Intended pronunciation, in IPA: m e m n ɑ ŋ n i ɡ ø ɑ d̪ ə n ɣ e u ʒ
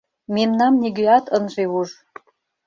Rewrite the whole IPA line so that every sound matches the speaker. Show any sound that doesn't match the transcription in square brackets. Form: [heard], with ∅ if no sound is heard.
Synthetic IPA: m e m n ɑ [m] n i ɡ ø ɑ [t̪] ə n [ʒ] e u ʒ